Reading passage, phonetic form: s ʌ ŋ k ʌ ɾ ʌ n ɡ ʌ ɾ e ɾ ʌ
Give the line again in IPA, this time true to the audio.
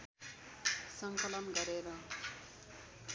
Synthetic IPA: s ʌ ŋ k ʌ l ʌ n ɡ ʌ ɾ e ɾ ʌ